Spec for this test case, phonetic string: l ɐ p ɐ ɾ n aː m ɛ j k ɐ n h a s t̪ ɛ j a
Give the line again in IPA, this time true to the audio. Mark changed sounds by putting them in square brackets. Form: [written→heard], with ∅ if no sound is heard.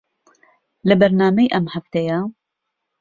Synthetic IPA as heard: l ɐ [p→b] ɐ ɾ n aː m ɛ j [k→ʔ] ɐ [n→m] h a [s→f] t̪ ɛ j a